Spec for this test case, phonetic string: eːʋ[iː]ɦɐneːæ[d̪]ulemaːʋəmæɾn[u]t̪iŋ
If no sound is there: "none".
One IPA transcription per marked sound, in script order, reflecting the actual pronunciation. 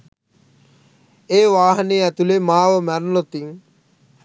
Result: aː, t̪, o

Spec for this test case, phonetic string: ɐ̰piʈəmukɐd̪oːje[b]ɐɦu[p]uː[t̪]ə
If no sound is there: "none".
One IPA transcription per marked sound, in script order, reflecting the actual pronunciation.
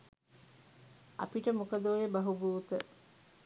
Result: b, b, t̪

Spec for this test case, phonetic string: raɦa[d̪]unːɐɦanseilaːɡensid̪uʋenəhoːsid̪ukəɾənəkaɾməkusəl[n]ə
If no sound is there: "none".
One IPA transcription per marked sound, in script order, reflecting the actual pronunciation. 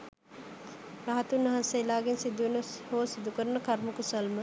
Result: t̪, m

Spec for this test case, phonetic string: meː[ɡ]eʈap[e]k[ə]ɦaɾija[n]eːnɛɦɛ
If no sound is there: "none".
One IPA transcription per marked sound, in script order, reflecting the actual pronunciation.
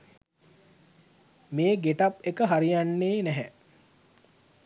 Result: ɡ, e, ə, nː

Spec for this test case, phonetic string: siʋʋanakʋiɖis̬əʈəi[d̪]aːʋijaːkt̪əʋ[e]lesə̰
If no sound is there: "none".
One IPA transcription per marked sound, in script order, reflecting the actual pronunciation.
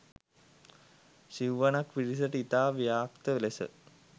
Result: t̪, e

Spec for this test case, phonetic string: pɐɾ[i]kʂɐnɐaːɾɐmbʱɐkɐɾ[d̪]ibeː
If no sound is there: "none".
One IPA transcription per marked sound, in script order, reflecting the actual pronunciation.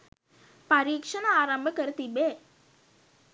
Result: iː, t̪

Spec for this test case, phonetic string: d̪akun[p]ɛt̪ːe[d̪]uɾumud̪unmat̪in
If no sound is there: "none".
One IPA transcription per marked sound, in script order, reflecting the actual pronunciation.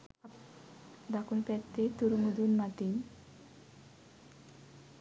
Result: p, t̪

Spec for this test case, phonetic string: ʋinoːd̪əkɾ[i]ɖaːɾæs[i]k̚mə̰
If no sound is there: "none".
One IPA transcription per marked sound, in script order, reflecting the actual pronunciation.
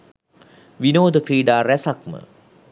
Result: iː, a

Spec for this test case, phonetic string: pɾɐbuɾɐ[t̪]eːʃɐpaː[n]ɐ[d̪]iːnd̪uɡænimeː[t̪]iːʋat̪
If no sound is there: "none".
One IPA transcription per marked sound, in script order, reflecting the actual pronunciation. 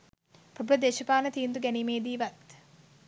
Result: d̪, n, t̪, d̪

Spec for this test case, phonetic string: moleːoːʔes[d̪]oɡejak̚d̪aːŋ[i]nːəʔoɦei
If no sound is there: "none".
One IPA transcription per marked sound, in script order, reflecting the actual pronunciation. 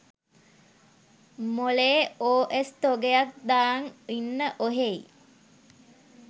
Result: t̪, i

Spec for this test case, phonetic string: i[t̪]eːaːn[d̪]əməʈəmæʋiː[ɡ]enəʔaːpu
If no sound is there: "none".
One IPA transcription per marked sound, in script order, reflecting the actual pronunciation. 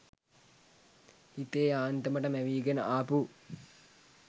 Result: t̪, t̪, ɡ

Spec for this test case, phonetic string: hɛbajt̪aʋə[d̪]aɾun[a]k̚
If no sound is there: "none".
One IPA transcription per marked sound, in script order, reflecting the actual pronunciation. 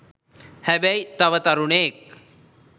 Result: t̪, e

